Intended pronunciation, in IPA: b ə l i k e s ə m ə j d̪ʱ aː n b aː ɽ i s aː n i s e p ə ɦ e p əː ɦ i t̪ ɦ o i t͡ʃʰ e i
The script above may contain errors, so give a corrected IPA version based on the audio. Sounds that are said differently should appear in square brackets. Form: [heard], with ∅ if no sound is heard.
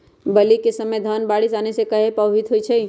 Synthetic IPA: b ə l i k e s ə m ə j d̪ʱ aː n b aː ɽ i s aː n [e] s e [k] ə ɦ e p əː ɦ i t̪ ɦ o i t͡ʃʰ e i